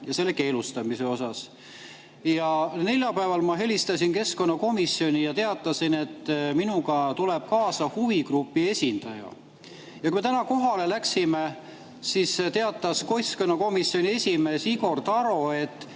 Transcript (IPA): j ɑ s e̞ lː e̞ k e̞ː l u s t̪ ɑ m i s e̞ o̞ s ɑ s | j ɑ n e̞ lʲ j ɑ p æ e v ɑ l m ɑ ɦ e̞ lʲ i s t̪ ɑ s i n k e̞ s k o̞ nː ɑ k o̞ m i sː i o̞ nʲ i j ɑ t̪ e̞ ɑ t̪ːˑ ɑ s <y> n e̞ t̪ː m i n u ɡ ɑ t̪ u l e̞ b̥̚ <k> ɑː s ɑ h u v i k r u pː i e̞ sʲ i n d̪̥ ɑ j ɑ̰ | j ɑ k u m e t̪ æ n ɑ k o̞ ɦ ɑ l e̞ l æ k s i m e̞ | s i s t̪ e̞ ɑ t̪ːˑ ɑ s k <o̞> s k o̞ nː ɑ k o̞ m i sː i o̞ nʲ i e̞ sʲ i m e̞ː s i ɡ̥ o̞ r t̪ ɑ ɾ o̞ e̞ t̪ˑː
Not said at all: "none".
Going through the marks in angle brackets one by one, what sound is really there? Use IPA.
i, k, o̞

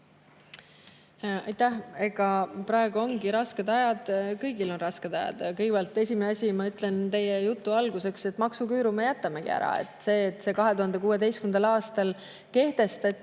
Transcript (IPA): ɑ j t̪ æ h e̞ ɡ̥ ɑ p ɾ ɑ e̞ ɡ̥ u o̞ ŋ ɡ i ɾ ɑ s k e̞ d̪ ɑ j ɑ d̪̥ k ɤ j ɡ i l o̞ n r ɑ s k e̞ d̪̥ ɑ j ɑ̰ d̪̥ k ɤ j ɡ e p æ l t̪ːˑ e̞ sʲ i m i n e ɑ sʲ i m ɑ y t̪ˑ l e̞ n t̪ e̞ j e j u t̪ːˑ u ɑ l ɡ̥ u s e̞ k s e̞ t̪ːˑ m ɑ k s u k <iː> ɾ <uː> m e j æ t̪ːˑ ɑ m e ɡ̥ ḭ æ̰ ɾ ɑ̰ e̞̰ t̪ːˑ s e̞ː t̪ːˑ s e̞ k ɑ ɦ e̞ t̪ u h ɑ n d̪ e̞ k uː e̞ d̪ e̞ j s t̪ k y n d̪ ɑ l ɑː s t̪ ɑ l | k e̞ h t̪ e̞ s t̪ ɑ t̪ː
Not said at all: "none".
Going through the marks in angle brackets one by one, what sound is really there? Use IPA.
yː, u

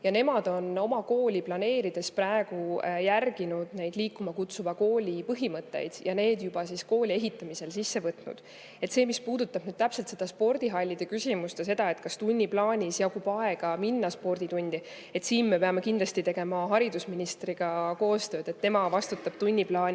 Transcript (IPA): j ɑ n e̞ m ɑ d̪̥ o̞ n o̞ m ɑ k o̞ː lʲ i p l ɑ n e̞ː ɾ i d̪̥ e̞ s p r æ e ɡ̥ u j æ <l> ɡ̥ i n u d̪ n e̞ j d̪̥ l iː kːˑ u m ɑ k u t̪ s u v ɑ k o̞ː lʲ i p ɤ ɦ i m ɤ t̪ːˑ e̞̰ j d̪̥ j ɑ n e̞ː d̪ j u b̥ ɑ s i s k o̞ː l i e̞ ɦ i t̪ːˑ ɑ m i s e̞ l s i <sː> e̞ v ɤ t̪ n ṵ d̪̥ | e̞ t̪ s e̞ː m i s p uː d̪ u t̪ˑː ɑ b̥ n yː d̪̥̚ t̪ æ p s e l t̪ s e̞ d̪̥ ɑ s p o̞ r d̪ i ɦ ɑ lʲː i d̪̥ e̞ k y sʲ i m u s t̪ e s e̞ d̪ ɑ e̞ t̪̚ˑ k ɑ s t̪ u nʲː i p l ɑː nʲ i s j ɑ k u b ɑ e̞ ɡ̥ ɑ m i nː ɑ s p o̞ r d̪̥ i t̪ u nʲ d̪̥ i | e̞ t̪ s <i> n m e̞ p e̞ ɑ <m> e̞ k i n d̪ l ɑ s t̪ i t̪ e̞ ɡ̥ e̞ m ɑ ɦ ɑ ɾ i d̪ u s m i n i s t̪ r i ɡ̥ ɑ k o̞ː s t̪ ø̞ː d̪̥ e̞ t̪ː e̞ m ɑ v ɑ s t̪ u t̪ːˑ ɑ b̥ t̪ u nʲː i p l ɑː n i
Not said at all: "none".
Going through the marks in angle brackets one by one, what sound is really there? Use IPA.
r, sː, iː, m

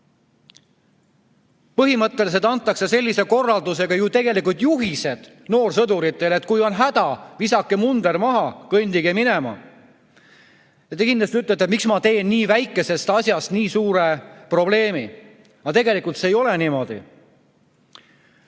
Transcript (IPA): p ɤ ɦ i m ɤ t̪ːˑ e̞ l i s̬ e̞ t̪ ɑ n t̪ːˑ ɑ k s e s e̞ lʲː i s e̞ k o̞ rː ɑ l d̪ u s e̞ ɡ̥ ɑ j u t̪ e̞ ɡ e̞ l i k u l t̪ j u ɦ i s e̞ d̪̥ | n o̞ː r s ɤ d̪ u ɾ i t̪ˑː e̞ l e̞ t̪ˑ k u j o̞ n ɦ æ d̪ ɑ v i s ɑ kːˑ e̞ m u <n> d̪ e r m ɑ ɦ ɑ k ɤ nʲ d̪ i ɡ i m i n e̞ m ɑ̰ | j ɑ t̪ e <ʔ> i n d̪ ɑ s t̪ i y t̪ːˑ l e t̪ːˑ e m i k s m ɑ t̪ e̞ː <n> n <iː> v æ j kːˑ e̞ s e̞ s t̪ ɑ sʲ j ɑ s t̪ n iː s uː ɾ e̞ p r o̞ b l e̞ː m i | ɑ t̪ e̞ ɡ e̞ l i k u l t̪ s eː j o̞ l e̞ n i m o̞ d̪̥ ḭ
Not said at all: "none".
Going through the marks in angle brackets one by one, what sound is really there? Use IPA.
n, k, n, iː

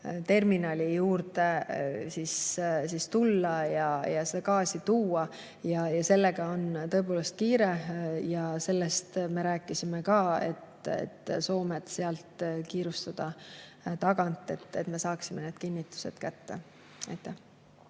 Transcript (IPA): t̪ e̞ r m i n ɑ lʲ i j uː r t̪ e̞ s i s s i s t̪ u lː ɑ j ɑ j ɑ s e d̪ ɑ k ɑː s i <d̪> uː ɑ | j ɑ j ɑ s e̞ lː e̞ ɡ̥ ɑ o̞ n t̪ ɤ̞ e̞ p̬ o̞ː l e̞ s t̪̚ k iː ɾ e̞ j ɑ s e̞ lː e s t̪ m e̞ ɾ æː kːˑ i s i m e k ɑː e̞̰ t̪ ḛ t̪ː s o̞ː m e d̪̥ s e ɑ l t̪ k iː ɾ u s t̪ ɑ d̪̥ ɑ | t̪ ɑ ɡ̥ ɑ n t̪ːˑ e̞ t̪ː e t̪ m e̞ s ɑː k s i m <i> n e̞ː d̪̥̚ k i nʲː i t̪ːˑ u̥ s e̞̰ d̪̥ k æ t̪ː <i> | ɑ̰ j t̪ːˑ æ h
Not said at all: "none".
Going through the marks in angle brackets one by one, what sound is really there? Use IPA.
t̪, e, e

